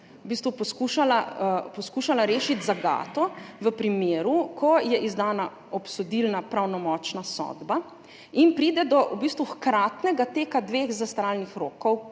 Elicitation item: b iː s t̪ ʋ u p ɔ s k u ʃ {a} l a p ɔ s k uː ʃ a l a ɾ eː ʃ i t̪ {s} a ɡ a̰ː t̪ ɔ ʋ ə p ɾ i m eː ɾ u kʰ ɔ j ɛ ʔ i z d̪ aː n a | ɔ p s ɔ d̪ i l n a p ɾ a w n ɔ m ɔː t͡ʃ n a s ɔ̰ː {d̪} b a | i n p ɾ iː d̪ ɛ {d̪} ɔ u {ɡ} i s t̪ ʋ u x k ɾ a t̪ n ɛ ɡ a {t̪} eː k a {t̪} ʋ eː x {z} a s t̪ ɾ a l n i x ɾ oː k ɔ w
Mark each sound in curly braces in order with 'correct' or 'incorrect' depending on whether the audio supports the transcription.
correct, incorrect: z, correct, correct, incorrect: b, correct, incorrect: d̪, correct

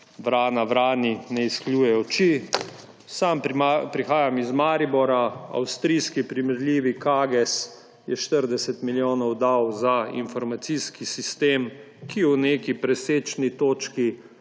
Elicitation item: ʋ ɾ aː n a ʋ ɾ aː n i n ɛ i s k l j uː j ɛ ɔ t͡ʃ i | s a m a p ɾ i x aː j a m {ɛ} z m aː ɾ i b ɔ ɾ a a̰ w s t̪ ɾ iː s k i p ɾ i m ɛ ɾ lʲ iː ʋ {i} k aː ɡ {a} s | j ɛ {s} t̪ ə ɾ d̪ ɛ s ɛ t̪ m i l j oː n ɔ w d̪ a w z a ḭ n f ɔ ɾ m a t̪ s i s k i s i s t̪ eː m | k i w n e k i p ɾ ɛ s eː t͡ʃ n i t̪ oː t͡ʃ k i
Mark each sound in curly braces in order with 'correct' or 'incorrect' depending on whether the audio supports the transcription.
incorrect: i, correct, incorrect: ɛ, incorrect: ʃ

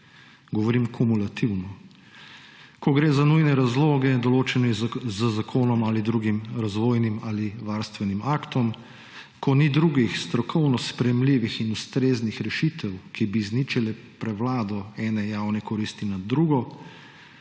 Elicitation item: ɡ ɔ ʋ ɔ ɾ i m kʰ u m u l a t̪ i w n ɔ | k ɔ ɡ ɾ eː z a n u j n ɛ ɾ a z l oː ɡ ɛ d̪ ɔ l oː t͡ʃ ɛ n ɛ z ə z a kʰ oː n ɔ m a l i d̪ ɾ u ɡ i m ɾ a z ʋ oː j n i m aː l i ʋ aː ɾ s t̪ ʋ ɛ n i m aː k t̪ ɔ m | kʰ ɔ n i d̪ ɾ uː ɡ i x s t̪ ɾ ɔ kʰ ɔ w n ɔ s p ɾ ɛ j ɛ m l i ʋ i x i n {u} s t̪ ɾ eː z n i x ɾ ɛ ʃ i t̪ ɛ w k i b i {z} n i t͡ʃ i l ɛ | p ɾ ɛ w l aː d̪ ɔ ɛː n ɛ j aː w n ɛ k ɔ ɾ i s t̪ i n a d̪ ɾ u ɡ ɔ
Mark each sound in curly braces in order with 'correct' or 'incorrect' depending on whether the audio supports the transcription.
correct, correct

